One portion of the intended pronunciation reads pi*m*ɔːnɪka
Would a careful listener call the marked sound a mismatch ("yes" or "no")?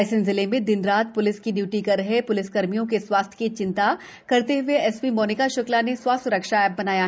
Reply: no